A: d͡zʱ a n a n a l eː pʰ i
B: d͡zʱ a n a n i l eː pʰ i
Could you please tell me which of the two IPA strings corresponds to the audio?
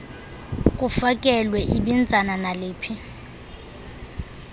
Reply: A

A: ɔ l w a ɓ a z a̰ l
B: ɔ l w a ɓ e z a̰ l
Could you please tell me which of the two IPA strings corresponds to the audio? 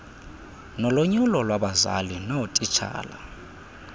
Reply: A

